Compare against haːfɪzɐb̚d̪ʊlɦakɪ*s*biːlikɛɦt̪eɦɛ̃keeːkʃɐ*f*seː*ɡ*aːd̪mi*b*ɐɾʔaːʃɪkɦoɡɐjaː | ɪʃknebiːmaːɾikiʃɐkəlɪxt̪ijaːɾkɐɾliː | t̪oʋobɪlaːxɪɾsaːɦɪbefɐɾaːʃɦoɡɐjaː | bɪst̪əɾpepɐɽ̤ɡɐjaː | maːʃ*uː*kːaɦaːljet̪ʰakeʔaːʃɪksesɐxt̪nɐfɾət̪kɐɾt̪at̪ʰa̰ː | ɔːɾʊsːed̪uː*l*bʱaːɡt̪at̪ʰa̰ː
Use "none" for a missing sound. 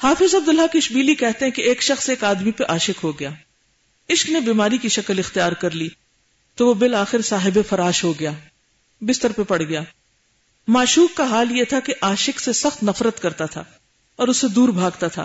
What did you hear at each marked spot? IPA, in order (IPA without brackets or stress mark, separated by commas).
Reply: ʃ, x, k, p, uː, ɾ